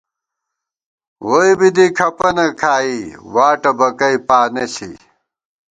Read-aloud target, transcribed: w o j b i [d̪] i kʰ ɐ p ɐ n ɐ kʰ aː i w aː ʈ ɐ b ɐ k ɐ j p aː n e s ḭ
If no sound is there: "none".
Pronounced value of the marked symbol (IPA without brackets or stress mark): d̪